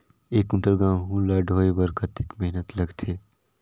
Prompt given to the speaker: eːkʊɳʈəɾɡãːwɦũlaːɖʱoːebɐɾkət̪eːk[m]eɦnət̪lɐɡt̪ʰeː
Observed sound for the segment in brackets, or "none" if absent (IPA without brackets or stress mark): m